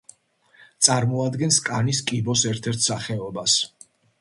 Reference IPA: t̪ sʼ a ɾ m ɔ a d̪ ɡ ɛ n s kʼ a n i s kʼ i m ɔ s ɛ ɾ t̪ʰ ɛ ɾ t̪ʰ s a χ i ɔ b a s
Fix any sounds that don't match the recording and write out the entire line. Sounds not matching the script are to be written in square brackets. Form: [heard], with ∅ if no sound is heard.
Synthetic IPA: t̪ sʼ a ɾ m ɔ a d̪ ɡ ɛ n s kʼ a n i s kʼ i [b] ɔ s ɛ ɾ t̪ʰ ɛ ɾ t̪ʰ s a χ [ɛ] ɔ b a s